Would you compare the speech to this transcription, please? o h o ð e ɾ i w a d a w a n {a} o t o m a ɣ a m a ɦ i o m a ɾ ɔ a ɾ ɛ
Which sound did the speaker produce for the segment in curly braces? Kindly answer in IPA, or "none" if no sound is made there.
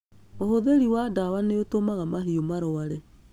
e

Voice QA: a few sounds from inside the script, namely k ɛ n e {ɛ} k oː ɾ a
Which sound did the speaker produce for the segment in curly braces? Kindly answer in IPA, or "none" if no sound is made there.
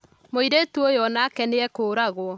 ɛ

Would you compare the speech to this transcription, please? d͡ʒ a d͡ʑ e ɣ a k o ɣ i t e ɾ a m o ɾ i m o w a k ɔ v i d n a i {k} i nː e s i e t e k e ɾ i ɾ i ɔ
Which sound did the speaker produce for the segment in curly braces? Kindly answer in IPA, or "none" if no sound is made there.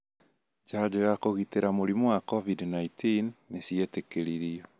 t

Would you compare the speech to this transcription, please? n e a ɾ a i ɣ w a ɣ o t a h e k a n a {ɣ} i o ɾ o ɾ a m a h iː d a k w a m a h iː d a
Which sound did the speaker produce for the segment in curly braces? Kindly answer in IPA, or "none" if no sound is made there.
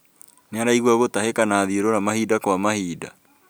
ð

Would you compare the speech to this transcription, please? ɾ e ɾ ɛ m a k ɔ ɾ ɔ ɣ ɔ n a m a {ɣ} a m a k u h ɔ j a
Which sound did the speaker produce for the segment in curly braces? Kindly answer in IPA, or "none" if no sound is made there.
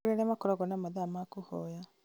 ð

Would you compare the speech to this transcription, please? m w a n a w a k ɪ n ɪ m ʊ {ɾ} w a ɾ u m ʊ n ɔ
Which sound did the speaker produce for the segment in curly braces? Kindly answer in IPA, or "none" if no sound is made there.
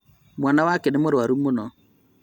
ɾ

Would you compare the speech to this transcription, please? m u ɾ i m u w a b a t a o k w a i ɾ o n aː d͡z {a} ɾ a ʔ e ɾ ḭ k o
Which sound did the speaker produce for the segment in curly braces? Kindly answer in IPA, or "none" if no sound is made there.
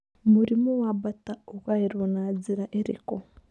i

